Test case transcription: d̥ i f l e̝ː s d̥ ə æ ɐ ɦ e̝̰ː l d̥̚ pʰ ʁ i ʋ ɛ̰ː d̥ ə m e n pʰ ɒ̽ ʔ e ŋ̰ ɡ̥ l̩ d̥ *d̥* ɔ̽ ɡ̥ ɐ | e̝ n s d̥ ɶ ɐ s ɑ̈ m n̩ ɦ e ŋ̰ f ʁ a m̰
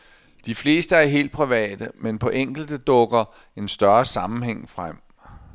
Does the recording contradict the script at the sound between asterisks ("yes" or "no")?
no